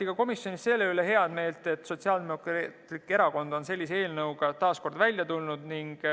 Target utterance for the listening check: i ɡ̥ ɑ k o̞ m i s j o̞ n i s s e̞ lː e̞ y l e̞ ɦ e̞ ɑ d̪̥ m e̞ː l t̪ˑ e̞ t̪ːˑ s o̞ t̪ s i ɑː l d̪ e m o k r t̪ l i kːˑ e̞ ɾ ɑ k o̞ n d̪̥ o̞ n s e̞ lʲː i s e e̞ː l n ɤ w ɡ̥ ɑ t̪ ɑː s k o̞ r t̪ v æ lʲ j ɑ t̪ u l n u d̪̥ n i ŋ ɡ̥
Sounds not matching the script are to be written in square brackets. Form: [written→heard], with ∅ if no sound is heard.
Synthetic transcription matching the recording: i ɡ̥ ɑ k o̞ m i s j o̞ n i s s e̞ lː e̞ y l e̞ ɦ e̞ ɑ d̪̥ m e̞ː l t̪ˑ e̞ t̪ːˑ s o̞ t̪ s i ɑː l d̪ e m o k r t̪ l i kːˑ e̞ ɾ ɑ k o̞ n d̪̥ o̞ n s e̞ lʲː i s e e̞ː l n ɤ w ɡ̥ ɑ t̪ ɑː s k o̞ r [t̪→d̪] v æ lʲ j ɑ t̪ u l n u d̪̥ n i ŋ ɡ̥

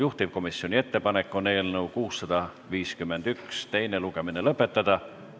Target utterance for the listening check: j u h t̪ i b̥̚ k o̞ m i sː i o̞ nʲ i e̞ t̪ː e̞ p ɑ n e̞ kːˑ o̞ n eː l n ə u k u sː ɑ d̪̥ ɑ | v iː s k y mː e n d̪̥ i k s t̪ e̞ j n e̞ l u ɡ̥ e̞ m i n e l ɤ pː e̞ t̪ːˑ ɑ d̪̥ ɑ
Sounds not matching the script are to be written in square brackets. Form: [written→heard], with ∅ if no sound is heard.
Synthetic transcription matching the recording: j u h t̪ i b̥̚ k o̞ m i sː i o̞ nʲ i e̞ t̪ː e̞ p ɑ n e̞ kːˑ o̞ n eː l n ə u k [u→uː] sː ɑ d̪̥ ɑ | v iː s k y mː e n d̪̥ [i→y] k s t̪ e̞ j n e̞ l u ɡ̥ e̞ m i n e l ɤ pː e̞ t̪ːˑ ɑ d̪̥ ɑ

